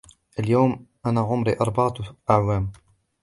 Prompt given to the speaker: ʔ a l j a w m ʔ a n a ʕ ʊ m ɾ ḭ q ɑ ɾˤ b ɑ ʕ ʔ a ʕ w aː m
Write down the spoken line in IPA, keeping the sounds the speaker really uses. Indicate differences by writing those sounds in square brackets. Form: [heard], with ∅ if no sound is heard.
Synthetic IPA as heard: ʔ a l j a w m ʔ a n a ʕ ʊ m ɾ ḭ [ʔ] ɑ ɾˤ b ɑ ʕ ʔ a ʕ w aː m